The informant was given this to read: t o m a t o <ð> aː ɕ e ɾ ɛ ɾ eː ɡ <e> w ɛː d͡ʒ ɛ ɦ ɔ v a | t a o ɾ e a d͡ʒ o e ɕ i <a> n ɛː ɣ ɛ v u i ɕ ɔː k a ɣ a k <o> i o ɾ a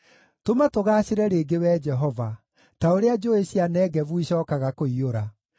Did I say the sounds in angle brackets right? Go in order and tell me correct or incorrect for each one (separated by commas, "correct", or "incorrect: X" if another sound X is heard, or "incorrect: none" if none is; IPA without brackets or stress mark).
incorrect: ɣ, correct, correct, correct